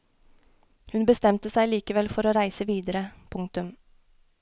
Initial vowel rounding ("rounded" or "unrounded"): rounded